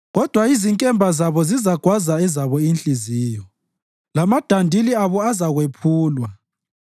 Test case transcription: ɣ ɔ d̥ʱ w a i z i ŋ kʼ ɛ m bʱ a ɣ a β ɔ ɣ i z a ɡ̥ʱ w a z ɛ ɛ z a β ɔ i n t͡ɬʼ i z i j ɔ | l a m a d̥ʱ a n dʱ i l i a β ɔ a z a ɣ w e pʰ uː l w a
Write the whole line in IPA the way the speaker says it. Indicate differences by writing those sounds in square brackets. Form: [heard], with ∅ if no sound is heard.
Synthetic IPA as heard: ɣ ɔ d̥ʱ w a i z i ŋ kʼ ɛ m bʱ a [z] a β ɔ [z] i z a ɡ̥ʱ w a z [a] ɛ z a β ɔ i n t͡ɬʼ i z i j ɔ | l a m a d̥ʱ a n dʱ i l i a β ɔ a z a ɣ w e pʰ uː l w a